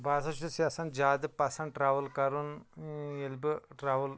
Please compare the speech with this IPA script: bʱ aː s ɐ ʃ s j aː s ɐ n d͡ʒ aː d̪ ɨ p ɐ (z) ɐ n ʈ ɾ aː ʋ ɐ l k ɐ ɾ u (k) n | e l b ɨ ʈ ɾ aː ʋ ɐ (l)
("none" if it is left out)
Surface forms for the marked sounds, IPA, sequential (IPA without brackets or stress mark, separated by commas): s, none, l